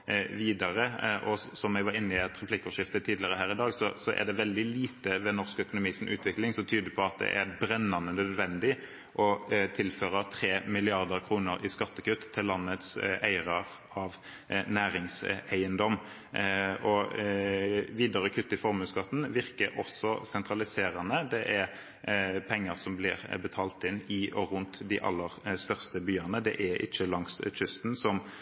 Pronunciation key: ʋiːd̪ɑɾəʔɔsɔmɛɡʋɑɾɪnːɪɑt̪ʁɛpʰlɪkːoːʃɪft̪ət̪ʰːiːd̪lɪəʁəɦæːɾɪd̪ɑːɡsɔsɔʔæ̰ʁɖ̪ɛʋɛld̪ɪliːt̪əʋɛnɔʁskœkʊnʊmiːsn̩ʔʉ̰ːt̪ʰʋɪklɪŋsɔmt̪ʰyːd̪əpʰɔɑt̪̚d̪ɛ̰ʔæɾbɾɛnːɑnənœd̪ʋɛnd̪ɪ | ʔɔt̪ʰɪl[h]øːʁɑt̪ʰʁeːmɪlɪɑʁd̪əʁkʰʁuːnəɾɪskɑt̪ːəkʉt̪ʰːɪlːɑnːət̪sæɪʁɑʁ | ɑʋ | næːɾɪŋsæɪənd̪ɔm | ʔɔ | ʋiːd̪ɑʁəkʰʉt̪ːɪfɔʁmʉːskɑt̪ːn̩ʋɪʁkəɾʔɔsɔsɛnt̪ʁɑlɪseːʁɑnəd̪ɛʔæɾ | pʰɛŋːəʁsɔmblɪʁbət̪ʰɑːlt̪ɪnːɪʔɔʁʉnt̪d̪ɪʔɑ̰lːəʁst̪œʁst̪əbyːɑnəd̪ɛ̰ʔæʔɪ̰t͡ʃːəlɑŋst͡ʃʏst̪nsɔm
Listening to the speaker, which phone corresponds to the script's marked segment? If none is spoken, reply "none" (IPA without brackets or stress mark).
f